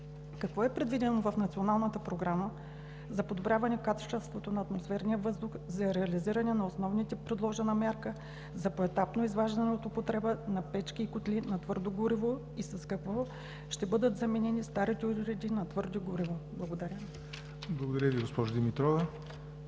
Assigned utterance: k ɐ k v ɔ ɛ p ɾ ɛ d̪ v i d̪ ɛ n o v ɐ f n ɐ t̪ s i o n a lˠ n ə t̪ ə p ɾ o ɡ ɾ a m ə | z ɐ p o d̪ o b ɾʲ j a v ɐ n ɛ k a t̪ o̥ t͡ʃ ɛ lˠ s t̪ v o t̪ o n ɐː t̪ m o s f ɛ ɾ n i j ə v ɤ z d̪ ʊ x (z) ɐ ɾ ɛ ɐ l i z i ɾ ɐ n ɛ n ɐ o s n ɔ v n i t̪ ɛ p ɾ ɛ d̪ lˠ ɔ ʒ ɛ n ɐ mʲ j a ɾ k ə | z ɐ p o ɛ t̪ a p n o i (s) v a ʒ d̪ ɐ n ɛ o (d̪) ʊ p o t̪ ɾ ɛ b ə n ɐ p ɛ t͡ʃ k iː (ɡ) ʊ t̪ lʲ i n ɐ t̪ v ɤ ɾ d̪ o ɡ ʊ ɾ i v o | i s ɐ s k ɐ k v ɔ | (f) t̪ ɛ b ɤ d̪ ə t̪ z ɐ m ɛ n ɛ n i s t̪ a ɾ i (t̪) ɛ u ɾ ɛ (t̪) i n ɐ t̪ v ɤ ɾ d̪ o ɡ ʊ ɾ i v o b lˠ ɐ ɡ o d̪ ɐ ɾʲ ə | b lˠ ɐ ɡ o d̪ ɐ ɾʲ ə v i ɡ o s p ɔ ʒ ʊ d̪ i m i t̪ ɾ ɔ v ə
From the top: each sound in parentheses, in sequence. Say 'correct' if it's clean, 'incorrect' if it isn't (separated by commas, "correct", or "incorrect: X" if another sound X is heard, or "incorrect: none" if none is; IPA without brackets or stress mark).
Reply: correct, incorrect: z, incorrect: t̪, incorrect: k, incorrect: ʃ, correct, incorrect: d̪